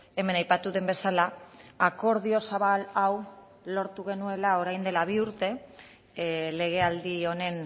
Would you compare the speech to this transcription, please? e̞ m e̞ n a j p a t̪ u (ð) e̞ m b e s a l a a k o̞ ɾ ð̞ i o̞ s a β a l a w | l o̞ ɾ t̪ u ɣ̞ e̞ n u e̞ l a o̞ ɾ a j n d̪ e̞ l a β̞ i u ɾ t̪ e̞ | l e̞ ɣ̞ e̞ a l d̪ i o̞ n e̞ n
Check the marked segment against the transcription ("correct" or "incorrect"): correct